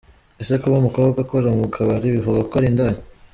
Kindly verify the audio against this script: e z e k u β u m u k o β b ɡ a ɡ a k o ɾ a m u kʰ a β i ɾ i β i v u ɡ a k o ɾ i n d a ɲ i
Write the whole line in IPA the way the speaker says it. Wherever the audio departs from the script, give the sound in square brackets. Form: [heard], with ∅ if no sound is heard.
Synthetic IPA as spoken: e [s] e k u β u m u k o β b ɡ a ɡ a k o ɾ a m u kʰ a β [a] ɾ i β i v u ɡ a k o ɾ i n d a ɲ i

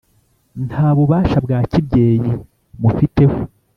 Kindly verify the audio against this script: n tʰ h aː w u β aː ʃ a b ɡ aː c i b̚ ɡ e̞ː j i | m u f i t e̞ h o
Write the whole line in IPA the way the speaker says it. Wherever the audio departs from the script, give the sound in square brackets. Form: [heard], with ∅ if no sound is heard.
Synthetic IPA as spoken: n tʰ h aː [β] u β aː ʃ a b ɡ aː c i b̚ [ɟ] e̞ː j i | m u f i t e̞ h o

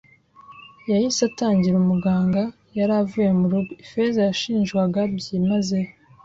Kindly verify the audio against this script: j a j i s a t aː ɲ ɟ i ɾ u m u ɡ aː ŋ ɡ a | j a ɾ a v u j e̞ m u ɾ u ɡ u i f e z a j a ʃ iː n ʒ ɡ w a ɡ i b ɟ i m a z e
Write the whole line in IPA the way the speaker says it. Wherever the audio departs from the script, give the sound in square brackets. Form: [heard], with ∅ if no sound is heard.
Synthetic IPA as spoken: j a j i s a t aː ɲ ɟ i ɾ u m u ɡ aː ŋ ɡ a | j a ɾ a v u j e̞ m u ɾ u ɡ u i f e z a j a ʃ iː n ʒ ɡ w a ɡ [a] b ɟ i m a z e

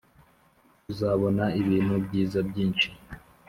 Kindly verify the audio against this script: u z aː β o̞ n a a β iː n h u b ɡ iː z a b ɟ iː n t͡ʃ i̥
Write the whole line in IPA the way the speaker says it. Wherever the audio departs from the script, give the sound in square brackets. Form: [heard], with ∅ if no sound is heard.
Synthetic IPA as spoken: u z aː β o̞ n a [i] β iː n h u b [ɟ] iː z a b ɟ iː n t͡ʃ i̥

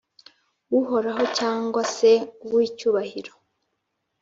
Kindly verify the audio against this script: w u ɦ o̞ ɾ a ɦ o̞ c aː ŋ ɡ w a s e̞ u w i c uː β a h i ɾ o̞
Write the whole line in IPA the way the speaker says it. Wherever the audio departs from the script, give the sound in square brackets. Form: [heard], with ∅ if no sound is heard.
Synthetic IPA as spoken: w u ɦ o̞ ɾ a ɦ o̞ c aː ŋ ɡ w a s e̞ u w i c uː β a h i ɾ o̞

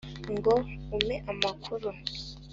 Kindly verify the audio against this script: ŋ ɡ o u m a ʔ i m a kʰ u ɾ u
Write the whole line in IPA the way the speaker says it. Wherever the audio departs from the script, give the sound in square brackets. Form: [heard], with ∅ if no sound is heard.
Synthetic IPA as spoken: ŋ ɡ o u m [e] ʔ [a] m a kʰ u ɾ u

